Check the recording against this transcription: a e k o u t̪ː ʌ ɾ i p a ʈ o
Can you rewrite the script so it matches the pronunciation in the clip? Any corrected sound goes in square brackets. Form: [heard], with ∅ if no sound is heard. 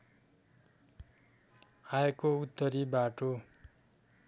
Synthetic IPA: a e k o u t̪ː ʌ ɾ i [b] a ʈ o